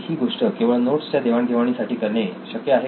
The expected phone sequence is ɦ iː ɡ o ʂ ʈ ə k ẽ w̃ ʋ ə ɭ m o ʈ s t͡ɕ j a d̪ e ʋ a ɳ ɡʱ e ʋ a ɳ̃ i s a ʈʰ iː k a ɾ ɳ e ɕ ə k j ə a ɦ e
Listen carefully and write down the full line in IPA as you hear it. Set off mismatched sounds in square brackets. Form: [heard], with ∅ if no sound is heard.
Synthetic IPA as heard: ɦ iː ɡ o ʂ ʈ ə k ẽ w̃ ʋ ə ɭ [n] o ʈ s t͡ɕ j a d̪ e ʋ a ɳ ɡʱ e ʋ a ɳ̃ i s a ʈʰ iː k [ə] ɾ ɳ e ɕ ə k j ə a ɦ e